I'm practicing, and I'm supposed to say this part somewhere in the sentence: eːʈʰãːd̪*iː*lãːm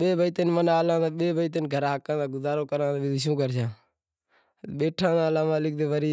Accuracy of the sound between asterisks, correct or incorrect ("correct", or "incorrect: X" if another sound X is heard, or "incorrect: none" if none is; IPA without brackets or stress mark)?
incorrect: aː